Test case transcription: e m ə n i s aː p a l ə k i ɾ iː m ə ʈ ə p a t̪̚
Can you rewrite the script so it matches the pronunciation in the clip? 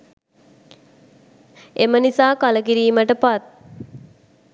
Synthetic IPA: e m ə n i s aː k a l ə k i ɾ iː m ə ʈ ə p a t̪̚